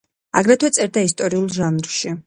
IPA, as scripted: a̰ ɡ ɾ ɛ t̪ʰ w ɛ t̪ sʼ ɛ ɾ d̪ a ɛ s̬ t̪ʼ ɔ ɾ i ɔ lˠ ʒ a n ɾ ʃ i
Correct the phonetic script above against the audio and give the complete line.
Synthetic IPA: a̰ ɡ ɾ ɛ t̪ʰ w ɛ t̪ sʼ ɛ ɾ d̪ a i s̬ t̪ʼ ɔ ɾ i u lˠ ʒ a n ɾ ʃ i